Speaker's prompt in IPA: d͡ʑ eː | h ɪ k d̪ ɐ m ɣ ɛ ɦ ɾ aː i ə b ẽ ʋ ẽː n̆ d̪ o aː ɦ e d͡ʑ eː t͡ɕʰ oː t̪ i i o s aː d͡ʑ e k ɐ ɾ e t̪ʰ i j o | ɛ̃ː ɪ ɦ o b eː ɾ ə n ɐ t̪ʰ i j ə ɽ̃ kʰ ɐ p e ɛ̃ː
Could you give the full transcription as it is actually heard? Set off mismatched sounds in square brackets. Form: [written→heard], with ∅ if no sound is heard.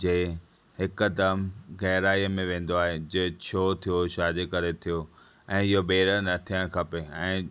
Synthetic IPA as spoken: d͡ʑ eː | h ɪ k d̪ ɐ m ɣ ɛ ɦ ɾ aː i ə [b→m] ẽ ʋ ẽː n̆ d̪ o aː ɦ e d͡ʑ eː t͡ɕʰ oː [t̪→t̪ʰ] i [i→j] o [s→ʃ] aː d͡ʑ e k ɐ ɾ e t̪ʰ i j o | ɛ̃ː ɪ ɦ o b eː ɾ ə n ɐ t̪ʰ i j ə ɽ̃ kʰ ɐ p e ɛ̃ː